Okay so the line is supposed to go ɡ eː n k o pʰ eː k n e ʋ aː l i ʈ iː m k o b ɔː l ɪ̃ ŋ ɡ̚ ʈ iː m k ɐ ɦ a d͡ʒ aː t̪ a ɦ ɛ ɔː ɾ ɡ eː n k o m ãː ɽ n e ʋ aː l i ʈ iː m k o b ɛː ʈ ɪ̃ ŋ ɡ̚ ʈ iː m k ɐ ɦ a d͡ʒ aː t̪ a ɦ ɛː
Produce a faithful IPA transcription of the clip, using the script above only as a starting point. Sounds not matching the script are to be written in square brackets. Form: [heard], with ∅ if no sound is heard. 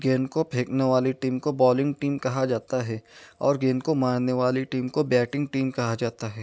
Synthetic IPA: ɡ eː n k o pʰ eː k n e ʋ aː l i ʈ iː m k o b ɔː l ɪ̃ ŋ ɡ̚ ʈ iː m k ɐ ɦ a d͡ʒ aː t̪ a ɦ ɛ ɔː ɾ ɡ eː n k o m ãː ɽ n e ʋ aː l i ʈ iː m k o b ɛː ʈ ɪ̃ ŋ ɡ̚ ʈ iː m k ɐ ɦ a d͡ʒ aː t̪ a ɦ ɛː